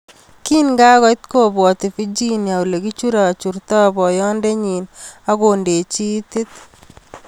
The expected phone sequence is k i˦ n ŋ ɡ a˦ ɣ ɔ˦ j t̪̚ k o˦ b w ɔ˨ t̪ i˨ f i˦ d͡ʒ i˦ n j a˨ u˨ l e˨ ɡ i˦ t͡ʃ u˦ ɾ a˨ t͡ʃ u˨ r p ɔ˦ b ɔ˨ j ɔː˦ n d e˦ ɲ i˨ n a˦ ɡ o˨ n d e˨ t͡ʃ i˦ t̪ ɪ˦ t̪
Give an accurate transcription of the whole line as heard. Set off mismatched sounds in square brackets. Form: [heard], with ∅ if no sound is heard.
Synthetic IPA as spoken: k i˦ n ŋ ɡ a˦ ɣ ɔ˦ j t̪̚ k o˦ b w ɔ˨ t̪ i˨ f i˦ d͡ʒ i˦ n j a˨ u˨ l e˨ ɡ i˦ t͡ʃ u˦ ɾ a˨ t͡ʃ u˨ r [t] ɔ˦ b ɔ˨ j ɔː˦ n d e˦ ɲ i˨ n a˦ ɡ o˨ n d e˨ t͡ʃ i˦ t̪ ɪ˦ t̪